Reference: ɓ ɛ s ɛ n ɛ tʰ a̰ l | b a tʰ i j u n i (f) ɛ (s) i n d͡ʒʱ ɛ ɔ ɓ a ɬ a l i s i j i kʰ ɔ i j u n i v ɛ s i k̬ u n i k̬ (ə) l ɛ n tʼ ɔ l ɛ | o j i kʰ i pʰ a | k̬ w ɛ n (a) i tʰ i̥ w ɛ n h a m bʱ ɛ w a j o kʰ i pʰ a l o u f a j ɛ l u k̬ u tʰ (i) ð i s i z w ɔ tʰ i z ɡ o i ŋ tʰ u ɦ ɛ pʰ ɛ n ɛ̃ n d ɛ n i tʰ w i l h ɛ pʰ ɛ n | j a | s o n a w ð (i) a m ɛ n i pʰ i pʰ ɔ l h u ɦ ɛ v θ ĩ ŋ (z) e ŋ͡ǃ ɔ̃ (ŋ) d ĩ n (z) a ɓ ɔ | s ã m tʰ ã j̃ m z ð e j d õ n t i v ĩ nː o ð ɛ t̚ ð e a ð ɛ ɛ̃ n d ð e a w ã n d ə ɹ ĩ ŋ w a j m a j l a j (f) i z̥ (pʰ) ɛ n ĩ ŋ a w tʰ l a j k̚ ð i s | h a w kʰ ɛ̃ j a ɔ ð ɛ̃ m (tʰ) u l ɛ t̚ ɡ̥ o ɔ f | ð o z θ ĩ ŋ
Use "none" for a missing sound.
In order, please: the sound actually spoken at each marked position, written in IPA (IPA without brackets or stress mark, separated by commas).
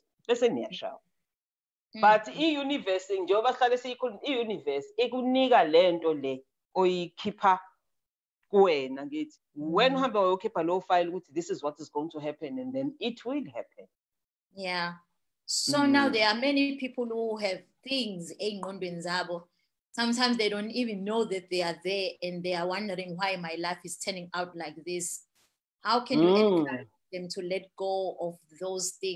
v, s, a, a, i, ɛ, z, n, z, f, tʰ, tʰ